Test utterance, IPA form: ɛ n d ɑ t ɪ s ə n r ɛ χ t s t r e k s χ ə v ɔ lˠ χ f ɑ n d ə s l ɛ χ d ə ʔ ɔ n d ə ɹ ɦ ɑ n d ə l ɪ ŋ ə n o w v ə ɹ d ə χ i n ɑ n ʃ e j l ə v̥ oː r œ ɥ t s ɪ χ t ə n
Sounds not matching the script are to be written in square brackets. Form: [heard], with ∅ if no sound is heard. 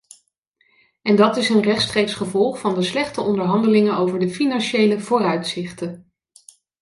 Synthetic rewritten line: ɛ n d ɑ t ɪ s ə n r ɛ χ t s t r e k s χ ə v ɔ lˠ χ f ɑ n d ə s l ɛ χ [t] ə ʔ ɔ n d ə ɹ ɦ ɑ n d ə l ɪ ŋ ə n o w v ə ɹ d ə [f] i n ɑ n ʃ e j l ə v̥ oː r œ ɥ t s ɪ χ t ə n